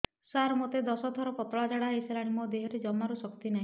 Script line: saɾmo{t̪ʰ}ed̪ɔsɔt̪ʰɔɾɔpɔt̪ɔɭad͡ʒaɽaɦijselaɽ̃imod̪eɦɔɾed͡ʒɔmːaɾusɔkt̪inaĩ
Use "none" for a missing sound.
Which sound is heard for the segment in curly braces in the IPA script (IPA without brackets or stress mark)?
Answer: t̪